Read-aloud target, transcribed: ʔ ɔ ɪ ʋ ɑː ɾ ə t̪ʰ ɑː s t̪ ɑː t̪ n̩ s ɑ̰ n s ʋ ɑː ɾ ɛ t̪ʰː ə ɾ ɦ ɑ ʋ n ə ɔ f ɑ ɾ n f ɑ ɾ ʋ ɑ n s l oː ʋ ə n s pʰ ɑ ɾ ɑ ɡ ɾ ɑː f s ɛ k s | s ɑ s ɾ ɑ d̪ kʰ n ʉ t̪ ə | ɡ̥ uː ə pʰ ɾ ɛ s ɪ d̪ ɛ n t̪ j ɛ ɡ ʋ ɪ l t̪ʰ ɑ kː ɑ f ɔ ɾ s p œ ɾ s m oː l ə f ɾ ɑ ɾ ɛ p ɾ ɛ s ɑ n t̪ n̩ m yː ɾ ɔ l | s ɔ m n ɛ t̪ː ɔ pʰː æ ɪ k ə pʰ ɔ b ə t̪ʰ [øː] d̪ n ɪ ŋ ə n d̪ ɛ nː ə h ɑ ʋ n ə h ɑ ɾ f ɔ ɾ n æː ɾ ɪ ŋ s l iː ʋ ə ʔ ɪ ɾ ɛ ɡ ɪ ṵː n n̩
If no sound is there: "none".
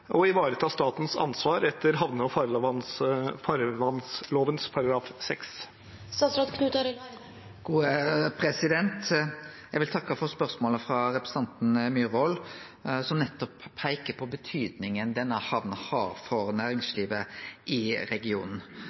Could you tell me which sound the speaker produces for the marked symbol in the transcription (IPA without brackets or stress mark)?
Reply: yː